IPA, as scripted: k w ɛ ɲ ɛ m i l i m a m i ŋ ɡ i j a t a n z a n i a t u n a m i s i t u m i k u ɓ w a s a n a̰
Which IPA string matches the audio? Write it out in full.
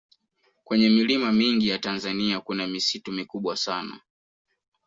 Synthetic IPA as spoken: k w ɛ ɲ ɛ m i l i m a m i ŋ ɡ i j a t a n z a n i a k u n a m i s i t u m i k u ɓ w a s a n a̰